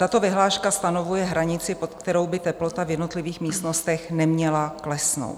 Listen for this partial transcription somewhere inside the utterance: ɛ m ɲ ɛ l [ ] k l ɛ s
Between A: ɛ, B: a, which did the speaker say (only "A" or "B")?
B